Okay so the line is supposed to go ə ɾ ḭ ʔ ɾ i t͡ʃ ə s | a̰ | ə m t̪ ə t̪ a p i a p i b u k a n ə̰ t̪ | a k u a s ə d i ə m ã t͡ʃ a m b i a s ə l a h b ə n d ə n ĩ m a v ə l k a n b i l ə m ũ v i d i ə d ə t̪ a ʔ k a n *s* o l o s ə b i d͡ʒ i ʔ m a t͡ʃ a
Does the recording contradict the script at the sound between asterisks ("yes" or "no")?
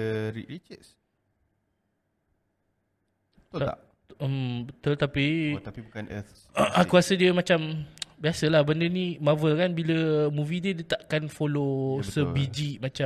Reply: yes